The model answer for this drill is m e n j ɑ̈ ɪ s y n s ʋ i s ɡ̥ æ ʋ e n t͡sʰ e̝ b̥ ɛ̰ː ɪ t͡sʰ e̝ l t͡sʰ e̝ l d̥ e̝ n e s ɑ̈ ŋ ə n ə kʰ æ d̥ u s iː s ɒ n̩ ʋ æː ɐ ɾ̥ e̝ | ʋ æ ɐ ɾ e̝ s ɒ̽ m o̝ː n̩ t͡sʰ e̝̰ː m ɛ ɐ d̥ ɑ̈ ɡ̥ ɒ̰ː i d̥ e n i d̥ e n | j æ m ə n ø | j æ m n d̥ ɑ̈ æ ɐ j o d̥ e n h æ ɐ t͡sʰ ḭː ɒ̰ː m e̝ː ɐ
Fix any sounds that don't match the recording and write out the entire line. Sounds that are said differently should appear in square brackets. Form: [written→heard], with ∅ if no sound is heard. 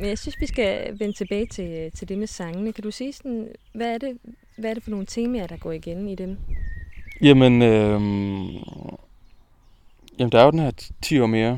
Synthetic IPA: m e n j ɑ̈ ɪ s y n s ʋ i s ɡ̥ æ ʋ e n t͡sʰ e̝ b̥ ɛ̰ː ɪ t͡sʰ e̝ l t͡sʰ e̝ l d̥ e̝ [n→m] e s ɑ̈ ŋ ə n ə kʰ æ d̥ u s iː s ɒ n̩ ʋ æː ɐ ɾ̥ e̝ | ʋ æ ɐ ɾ e̝ [s→f] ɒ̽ [m→n] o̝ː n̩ t͡sʰ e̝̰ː m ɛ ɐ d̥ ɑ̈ ɡ̥ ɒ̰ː i [d̥→ɡ̥] e n i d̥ e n | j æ m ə n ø | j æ m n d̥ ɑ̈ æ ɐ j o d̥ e n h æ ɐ t͡sʰ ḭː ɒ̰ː m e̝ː ɐ